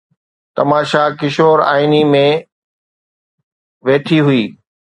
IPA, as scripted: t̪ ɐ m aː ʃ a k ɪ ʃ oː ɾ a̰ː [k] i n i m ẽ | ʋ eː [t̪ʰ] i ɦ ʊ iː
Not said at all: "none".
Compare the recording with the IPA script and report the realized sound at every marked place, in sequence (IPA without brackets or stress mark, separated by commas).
none, t̪ʰ